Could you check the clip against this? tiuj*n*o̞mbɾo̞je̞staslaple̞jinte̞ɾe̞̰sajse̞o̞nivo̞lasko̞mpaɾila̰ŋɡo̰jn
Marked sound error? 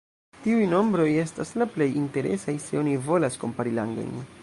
no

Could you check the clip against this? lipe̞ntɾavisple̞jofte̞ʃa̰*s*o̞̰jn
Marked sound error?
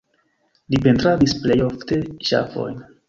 yes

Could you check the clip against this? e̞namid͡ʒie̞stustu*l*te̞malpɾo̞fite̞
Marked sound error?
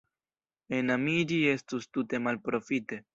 yes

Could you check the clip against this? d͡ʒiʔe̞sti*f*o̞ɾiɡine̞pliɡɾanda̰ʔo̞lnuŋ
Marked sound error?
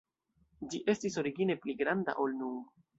yes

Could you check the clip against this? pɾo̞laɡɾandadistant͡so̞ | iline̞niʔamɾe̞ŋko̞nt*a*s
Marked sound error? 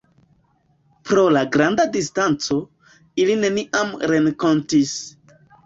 yes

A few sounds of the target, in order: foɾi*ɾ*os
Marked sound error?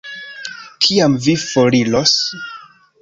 yes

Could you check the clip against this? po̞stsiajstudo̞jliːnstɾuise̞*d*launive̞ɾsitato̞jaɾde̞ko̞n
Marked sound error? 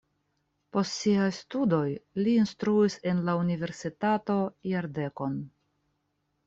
yes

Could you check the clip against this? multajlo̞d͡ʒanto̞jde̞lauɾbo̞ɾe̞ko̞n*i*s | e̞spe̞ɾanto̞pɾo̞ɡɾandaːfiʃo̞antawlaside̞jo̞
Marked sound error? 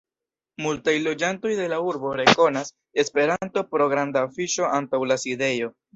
yes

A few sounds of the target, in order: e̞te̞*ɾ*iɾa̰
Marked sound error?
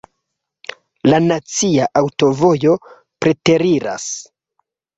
no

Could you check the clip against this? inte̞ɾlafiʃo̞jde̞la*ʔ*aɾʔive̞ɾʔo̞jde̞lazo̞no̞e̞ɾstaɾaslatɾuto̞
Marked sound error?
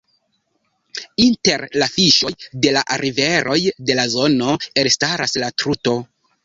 no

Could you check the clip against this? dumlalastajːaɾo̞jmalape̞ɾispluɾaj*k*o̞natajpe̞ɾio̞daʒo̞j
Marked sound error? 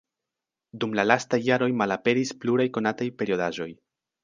no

